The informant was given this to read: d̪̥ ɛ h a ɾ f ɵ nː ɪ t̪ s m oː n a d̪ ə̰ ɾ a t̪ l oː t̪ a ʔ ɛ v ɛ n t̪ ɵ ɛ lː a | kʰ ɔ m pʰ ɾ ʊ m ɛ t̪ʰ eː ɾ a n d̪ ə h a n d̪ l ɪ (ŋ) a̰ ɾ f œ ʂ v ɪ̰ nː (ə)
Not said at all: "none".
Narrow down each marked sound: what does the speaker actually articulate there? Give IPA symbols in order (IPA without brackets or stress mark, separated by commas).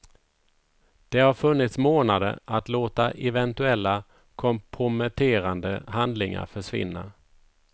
ŋ, a